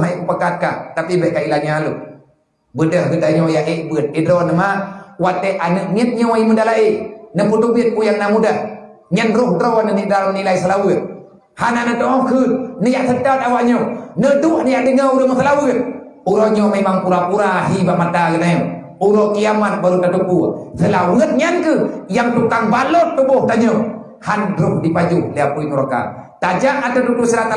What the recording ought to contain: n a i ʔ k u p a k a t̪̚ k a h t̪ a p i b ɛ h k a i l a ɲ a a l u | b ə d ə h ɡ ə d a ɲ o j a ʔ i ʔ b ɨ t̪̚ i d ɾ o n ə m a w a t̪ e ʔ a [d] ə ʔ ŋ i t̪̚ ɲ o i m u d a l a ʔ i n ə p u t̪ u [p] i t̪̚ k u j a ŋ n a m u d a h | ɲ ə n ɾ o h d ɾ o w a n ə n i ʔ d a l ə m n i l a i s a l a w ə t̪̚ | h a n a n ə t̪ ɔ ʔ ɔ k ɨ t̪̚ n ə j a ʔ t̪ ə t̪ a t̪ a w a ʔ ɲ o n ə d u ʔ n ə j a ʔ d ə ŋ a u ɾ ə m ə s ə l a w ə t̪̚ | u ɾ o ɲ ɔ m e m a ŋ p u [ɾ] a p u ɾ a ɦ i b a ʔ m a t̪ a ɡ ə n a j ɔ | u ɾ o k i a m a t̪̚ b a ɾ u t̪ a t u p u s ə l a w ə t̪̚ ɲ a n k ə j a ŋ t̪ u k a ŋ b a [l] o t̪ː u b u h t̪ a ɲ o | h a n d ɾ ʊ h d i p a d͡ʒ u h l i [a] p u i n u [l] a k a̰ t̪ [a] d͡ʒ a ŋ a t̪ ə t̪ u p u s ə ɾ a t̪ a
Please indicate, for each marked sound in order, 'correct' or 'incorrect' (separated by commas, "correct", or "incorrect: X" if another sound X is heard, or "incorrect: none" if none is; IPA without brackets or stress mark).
incorrect: n, incorrect: b, correct, correct, correct, incorrect: ɾ, correct